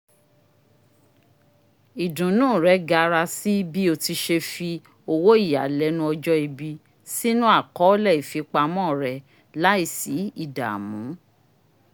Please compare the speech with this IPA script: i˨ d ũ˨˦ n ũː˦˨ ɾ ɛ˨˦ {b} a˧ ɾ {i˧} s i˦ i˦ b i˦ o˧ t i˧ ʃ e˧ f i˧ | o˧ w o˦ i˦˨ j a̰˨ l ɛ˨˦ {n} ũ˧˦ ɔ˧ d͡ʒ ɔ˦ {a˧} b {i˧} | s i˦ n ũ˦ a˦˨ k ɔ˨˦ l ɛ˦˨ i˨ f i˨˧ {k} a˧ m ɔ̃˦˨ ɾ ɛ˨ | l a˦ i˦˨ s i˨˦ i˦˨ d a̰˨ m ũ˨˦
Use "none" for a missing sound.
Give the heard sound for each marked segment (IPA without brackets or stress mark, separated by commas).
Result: ɡ, a˧, n, i˧, i˧, k͡p